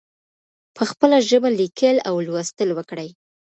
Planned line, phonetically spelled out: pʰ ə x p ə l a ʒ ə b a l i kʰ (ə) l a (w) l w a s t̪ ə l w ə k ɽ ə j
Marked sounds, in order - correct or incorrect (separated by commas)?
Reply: correct, correct